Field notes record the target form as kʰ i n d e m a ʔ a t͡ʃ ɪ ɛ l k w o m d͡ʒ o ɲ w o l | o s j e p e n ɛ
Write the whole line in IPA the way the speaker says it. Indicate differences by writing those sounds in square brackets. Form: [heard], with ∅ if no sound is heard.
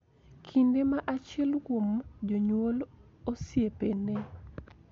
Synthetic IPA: kʰ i n d e m a ʔ a t͡ʃ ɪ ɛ l k w o m d͡ʒ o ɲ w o l | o s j e p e n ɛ